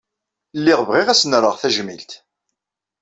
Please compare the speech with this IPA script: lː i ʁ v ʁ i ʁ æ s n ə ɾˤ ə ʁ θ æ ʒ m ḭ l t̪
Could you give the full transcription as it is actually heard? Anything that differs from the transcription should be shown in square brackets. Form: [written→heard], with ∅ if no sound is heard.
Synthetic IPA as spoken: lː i ʁ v ʁ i ʁ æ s n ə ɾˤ ə ʁ θ æ ʒ m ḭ l t̪